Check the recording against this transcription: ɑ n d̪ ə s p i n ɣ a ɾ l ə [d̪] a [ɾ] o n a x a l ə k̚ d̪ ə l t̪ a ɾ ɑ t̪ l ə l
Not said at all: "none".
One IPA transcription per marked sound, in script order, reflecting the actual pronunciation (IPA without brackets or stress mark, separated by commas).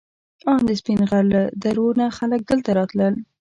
d̪, ɾ